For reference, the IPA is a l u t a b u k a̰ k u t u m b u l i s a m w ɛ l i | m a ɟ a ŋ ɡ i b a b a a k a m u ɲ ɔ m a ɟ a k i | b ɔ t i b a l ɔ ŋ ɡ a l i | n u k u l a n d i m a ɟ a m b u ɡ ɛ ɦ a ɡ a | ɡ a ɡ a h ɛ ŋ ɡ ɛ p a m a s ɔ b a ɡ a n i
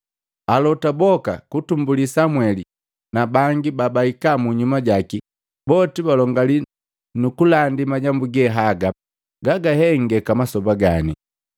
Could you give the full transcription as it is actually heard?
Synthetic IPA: a l ɔ t a b ɔ k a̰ k u t u m b u l i s a m w ɛ l i | n a b a ŋ ɡ i b a b a i k a m u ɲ u m a ɟ a k i | b ɔ t i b a l ɔ ŋ ɡ a l i | n u k u l a n d i m a ɟ a m b u ɡ ɛ ɦ a ɡ a | ɡ a ɡ a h ɛ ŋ ɡ ɛ k a m a s ɔ b a ɡ a n i